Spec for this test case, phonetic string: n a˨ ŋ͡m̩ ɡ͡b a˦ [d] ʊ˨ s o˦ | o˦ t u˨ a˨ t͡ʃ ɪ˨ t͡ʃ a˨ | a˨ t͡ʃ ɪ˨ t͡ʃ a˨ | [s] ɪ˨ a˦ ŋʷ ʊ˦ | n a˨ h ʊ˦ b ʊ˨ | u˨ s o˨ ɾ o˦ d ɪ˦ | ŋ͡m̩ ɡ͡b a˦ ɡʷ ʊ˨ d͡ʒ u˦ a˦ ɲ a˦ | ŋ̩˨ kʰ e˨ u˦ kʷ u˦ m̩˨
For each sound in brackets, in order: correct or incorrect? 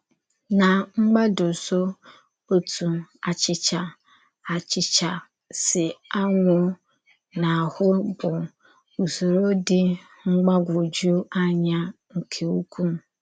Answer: correct, correct

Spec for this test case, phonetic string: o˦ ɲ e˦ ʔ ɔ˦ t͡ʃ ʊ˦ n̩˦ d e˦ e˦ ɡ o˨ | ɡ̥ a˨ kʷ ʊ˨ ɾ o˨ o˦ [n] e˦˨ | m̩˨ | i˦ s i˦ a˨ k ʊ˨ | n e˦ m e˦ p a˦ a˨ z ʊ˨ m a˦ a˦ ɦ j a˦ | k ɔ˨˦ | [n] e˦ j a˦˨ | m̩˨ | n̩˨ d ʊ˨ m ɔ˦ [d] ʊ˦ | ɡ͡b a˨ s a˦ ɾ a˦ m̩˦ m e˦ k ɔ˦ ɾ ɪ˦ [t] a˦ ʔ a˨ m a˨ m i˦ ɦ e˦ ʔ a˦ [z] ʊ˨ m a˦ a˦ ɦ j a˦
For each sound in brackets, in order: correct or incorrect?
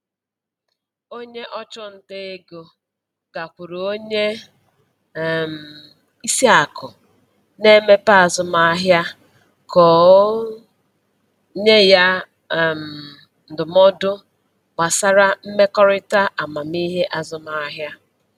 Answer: incorrect: ɲ, incorrect: ɲ, correct, correct, correct

